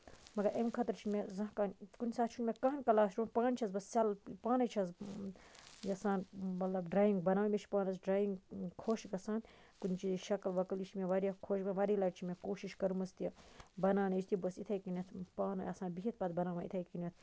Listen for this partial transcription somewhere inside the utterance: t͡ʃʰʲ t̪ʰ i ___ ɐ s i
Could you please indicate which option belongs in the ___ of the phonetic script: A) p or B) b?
B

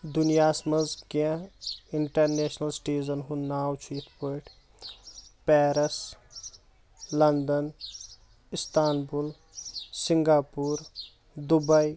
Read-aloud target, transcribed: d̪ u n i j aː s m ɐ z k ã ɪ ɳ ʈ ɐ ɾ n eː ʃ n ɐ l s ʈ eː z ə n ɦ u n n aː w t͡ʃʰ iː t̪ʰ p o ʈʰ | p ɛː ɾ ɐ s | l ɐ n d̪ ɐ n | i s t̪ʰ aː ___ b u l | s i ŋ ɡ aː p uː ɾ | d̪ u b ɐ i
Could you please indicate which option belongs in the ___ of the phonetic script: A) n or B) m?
A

